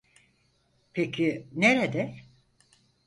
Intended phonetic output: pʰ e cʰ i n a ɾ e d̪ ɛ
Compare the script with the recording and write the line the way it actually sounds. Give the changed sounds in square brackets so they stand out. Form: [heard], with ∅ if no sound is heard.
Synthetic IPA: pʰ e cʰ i n [e] ɾ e d̪ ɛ

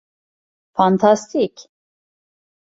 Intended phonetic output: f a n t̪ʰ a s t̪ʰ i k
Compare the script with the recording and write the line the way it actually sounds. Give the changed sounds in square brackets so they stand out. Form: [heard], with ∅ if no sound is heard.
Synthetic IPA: f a n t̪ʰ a s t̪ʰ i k

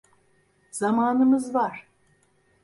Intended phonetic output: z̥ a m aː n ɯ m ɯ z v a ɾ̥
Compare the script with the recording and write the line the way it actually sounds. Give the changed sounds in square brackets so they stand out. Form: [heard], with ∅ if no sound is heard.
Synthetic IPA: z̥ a m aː n ɯ m ɯ z v a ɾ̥

